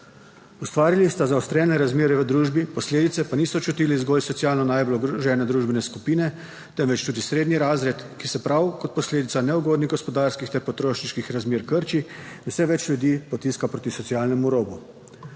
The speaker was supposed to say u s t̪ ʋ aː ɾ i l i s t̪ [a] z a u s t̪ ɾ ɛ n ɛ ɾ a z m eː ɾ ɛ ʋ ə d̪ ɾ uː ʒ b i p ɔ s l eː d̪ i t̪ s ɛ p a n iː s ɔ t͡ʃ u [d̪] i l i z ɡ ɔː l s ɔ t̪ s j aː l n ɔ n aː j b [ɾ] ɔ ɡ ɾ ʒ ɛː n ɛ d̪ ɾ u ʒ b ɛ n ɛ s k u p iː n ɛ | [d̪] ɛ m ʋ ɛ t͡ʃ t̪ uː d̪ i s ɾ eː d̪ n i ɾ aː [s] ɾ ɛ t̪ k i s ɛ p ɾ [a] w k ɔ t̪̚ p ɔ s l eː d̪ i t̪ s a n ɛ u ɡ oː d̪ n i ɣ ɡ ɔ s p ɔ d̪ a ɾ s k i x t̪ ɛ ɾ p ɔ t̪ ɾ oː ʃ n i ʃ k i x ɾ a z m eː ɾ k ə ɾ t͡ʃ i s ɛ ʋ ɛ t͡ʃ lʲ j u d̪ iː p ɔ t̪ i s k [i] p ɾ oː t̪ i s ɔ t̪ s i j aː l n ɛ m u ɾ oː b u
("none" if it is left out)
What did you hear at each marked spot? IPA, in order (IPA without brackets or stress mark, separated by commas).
a, t̪, l, t̪, z, a, a